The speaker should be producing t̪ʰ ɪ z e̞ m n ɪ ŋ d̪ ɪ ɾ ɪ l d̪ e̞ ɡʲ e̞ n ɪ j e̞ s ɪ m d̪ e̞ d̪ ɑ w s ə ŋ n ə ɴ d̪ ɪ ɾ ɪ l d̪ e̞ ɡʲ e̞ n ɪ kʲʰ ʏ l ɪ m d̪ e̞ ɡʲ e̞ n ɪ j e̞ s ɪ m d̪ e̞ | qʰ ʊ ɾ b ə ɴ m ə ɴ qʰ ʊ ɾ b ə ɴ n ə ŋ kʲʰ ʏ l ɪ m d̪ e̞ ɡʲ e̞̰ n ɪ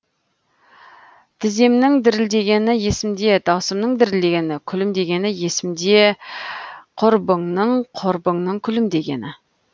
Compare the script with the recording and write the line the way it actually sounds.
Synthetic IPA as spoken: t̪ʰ ɪ z e̞ m n ɪ ŋ d̪ ɪ ɾ ɪ l d̪ e̞ ɡʲ e̞ n ɪ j e̞ s ɪ m d̪ e̞ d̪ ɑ w s ə m n ə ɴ d̪ ɪ ɾ ɪ l d̪ e̞ ɡʲ e̞ n ɪ kʲʰ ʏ l ɪ m d̪ e̞ ɡʲ e̞ n ɪ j e̞ s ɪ m d̪ e̞ | qʰ ʊ ɾ b ə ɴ n ə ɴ qʰ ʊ ɾ b ə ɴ n ə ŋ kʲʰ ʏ l ɪ m d̪ e̞ ɡʲ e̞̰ n ɪ